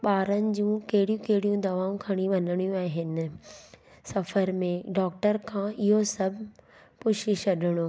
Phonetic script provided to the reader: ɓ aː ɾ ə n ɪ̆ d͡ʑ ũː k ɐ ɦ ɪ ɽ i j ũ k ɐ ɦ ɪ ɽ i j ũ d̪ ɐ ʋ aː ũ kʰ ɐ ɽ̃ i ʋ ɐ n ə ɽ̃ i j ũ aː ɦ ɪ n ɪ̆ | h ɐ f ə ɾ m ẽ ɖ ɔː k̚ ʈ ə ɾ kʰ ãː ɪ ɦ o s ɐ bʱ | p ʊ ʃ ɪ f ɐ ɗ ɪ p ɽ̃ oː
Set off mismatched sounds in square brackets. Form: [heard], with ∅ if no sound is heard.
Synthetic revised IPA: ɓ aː ɾ ə n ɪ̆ d͡ʑ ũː k ɐ ɦ ɪ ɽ i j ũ k ɐ ɦ ɪ ɽ i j ũ d̪ ɐ ʋ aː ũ kʰ ɐ ɽ̃ i ʋ ɐ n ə ɽ̃ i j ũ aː ɦ ɪ n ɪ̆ | [s] ɐ f ə ɾ m ẽ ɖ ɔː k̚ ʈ ə ɾ kʰ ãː ɪ ɦ o s ɐ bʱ | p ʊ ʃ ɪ [ʃ] ɐ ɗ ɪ [∅] ɽ̃ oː